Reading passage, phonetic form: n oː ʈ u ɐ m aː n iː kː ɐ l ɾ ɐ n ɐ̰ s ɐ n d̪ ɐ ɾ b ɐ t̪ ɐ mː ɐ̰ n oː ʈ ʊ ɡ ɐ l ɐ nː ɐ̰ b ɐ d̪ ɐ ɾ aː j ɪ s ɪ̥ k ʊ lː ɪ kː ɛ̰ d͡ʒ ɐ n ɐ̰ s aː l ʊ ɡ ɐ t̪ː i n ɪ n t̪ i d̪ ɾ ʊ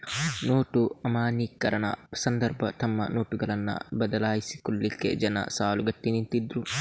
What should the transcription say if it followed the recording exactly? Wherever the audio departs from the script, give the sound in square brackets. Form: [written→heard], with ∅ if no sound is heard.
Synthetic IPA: n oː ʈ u ɐ m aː n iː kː ɐ [l→∅] ɾ ɐ n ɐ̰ s ɐ n d̪ ɐ ɾ b ɐ t̪ ɐ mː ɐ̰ n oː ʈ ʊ ɡ ɐ l ɐ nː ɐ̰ b ɐ d̪ ɐ [ɾ→l] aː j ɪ s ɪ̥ k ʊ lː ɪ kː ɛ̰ d͡ʒ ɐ n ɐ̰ s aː l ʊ ɡ ɐ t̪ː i n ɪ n t̪ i d̪ ɾ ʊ